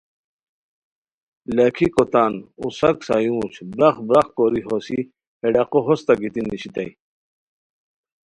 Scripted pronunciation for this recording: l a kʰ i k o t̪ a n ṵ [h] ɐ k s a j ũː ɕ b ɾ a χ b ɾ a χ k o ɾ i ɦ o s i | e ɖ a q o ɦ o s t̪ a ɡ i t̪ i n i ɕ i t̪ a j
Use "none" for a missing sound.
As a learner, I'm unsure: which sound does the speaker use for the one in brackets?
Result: s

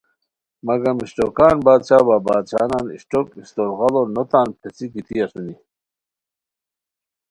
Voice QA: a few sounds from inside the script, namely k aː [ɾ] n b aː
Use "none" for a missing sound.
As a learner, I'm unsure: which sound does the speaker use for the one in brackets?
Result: none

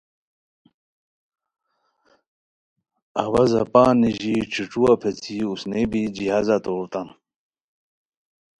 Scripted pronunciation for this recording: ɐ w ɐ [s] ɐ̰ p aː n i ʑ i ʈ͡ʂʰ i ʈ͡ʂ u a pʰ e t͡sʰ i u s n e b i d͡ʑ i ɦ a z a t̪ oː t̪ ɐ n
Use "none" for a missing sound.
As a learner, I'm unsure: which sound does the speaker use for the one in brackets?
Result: z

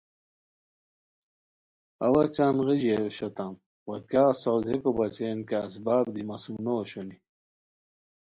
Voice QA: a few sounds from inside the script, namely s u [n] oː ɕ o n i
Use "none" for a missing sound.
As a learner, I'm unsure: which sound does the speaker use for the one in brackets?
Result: n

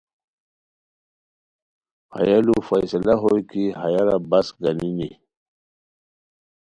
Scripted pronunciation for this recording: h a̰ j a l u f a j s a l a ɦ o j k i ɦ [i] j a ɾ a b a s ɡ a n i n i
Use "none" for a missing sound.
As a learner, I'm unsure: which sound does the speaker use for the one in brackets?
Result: a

